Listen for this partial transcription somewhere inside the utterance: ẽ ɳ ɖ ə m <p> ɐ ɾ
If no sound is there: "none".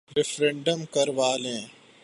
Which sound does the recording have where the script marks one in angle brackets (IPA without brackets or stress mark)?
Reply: k